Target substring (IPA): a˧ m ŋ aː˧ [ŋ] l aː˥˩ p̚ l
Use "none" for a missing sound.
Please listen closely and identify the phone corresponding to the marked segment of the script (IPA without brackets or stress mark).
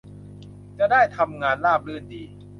n